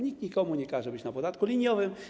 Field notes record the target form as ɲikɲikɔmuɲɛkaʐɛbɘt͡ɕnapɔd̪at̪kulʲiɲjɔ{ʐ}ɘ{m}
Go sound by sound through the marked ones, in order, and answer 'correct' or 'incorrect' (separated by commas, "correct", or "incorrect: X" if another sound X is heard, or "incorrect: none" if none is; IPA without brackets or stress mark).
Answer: incorrect: v, correct